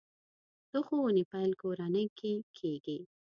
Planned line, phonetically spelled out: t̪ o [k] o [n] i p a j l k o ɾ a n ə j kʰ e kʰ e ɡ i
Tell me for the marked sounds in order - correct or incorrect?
incorrect: x, correct

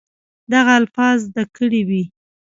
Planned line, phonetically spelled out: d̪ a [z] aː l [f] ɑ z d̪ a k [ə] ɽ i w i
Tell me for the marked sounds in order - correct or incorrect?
incorrect: ɣ, correct, correct

